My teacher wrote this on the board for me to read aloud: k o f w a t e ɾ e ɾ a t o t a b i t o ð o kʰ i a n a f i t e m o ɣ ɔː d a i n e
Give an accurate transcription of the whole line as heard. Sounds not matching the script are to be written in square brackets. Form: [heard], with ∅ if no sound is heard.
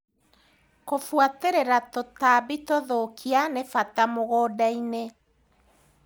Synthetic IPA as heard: k o f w a t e ɾ e ɾ a t o t a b i t o ð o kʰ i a n [e] f [a] t [a] m o ɣ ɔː d a i n e